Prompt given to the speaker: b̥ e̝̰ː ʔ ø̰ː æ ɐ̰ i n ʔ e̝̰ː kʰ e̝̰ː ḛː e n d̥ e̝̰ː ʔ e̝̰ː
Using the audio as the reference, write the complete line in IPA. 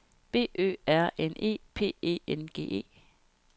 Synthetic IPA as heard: b̥ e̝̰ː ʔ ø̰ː æ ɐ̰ e n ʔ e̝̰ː pʰ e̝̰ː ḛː e n ɡ̥ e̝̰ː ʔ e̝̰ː